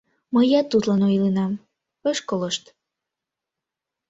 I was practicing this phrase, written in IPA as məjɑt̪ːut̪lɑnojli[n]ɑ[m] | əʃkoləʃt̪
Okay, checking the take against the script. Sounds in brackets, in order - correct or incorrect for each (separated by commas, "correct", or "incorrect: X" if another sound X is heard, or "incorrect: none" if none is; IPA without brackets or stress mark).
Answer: correct, correct